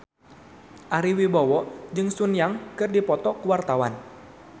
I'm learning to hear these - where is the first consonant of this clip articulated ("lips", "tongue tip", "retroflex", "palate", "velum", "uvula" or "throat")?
throat